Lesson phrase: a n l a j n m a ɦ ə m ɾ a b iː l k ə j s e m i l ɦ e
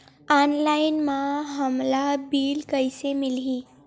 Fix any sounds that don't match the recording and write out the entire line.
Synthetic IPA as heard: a n l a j n m a ɦ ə m l a b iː l k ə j s e m i l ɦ i